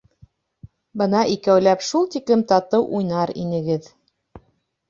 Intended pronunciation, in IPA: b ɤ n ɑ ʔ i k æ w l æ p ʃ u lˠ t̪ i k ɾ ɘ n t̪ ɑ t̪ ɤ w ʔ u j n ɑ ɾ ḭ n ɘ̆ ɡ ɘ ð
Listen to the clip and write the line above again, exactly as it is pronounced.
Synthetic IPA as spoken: b ɤ n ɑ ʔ i k æ w l æ p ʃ u lˠ t̪ i k l ɘ m t̪ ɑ t̪ ɤ w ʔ u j n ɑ ɾ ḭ n ɘ̆ ɡ ɘ ð